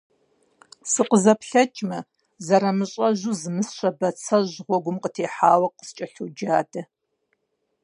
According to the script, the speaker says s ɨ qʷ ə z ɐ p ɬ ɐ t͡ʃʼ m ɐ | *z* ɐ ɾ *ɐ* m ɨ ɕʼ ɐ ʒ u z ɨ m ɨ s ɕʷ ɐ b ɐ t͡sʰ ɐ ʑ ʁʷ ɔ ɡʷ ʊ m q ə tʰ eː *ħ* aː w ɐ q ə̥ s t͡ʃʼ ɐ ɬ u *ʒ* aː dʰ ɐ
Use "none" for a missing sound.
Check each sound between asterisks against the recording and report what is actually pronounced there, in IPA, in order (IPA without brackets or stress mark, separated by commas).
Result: z, ɐ, ħ, d͡ʒ